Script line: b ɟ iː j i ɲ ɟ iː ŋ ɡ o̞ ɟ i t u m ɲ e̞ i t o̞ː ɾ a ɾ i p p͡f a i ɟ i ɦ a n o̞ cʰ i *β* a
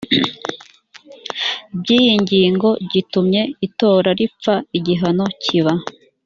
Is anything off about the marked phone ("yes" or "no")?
no